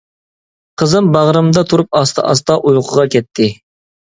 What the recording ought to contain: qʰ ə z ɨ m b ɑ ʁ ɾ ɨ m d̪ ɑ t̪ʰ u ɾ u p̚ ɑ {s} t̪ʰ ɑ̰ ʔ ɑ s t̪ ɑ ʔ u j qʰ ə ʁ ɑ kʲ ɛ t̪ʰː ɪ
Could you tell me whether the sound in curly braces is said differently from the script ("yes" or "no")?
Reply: no